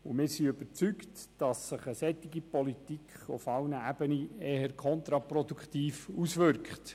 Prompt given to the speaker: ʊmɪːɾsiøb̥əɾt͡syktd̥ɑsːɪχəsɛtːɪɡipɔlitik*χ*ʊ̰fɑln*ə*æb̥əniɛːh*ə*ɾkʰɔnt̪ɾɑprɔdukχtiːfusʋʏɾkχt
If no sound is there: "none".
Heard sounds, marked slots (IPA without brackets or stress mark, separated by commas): χ, ə, ə